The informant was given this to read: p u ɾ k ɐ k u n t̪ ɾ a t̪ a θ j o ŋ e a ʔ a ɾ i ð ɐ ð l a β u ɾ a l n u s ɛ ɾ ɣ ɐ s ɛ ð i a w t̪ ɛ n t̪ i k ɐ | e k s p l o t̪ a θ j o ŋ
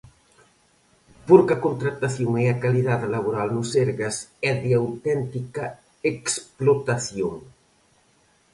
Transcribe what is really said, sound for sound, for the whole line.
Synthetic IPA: p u ɾ k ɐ k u n t̪ ɾ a t̪ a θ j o ŋ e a k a l i ð a ð l a β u ɾ a l n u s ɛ ɾ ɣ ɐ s ɛ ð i a w t̪ ɛ n t̪ i k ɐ | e k s p l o t̪ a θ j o ŋ